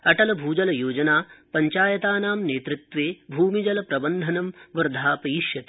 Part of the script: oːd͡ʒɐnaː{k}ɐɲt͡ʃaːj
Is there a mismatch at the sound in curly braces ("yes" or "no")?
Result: yes